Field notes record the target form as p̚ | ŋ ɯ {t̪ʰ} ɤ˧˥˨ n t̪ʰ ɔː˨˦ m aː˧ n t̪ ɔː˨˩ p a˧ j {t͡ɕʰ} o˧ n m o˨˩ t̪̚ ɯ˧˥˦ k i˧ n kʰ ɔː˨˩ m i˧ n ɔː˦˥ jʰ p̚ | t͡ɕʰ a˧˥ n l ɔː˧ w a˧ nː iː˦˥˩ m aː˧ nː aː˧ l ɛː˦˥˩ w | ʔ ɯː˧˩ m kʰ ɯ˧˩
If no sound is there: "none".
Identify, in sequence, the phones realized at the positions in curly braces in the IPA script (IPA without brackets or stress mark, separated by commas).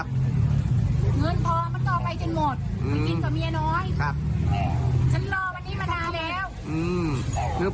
none, t͡ɕ